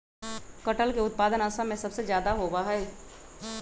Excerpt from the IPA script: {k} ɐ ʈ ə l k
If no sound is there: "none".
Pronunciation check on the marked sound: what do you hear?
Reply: k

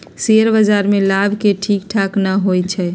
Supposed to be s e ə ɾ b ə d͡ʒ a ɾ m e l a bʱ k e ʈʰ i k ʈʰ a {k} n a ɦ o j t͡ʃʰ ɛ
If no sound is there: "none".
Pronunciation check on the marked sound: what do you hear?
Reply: k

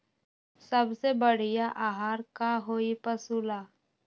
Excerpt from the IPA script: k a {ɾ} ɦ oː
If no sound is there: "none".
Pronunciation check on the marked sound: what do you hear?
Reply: none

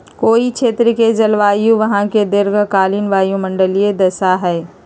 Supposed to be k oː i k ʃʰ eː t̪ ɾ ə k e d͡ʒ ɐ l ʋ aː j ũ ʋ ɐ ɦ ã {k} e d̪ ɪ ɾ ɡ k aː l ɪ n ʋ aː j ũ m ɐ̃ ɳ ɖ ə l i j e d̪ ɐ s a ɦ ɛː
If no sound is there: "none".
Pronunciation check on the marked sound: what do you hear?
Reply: k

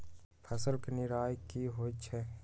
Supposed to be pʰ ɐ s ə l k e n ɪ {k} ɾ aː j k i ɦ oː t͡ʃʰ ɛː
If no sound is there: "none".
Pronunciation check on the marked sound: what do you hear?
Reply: none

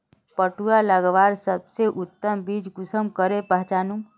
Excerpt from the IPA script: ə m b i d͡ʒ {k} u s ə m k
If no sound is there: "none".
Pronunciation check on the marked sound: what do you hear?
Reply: ɡ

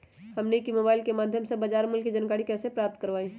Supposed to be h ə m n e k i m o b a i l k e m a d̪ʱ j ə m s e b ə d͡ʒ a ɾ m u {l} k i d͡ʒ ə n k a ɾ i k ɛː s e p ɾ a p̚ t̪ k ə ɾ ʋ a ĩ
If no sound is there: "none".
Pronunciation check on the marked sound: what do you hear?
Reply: l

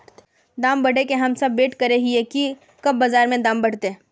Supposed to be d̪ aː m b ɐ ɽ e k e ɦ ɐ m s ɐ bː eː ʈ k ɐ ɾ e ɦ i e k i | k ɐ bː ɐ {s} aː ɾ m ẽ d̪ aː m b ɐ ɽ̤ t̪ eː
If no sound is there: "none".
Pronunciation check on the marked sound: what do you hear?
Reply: z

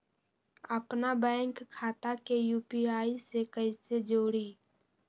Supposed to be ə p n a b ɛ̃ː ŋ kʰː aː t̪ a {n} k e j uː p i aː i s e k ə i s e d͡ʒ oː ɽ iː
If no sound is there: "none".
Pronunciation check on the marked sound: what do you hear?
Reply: none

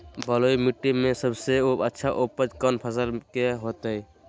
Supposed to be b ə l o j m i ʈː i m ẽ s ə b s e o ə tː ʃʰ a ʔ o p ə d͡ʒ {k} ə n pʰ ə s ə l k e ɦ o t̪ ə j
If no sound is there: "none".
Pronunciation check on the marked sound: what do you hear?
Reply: k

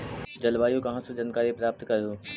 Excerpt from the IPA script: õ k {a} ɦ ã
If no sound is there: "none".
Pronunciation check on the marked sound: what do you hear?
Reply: ɐ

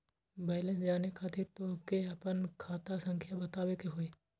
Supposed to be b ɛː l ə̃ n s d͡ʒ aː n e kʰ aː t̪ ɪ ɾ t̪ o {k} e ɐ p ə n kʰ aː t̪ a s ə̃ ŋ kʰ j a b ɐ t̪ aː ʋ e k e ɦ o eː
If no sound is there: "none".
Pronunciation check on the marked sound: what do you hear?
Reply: k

